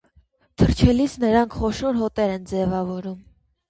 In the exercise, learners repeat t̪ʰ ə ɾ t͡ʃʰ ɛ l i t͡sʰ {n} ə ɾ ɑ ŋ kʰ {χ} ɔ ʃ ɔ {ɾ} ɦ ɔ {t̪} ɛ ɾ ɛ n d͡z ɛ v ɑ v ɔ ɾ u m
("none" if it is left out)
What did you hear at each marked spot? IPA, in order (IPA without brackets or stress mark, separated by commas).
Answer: n, χ, ɾ, t̪